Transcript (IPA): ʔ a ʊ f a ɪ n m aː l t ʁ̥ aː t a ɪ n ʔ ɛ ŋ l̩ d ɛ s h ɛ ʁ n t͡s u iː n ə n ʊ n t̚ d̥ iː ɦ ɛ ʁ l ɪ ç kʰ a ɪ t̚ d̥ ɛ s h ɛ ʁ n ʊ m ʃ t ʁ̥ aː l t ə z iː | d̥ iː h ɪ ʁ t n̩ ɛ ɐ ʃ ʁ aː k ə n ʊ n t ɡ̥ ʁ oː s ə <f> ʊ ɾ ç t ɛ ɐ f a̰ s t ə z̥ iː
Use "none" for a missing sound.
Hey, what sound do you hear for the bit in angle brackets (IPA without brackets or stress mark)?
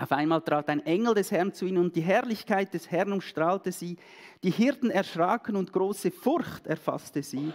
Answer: f